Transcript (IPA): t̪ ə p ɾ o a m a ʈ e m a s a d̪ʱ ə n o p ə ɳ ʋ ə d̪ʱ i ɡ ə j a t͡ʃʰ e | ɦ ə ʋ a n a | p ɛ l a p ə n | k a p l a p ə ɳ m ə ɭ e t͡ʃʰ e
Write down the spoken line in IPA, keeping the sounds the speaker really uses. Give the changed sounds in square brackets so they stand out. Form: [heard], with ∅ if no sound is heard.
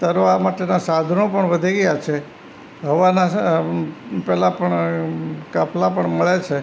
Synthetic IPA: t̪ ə [∅] ɾ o a m a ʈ e [n] a s a d̪ʱ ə n o p ə ɳ ʋ ə d̪ʱ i ɡ ə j a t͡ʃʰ e | ɦ ə ʋ a n a | p ɛ l a p ə [ɳ] | k a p l a p ə ɳ m ə ɭ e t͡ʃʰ e

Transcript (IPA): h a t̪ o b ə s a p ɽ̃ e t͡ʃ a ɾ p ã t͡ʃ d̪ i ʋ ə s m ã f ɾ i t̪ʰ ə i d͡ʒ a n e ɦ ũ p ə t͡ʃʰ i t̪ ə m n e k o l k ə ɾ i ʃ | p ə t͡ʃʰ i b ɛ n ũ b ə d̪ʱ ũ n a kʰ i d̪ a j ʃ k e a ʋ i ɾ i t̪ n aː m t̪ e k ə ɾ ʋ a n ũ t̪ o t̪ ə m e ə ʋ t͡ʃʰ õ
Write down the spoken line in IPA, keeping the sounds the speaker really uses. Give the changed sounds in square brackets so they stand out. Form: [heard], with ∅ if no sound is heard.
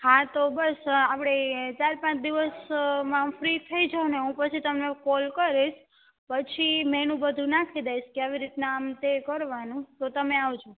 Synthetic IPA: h a t̪ o b ə s a p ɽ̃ e t͡ʃ a ɾ p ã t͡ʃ d̪ i ʋ ə s m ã f ɾ i t̪ʰ ə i d͡ʒ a n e ɦ ũ p ə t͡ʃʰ i t̪ ə m n e k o l k ə ɾ i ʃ | p ə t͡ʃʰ i [m] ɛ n ũ b ə d̪ʱ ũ n a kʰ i d̪ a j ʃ k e a ʋ i ɾ i t̪ n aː m t̪ e k ə ɾ ʋ a n ũ t̪ o t̪ ə m e [a] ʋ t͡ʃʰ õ

